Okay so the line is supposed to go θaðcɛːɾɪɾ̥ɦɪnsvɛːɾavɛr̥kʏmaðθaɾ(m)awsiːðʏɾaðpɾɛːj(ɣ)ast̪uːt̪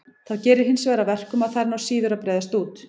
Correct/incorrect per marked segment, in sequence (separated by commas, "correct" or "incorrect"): incorrect, incorrect